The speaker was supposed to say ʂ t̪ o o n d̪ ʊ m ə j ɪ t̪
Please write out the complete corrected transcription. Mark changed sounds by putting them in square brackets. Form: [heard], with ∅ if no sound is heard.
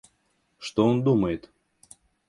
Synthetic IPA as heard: ʂ t̪ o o n d̪ [u] m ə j ɪ t̪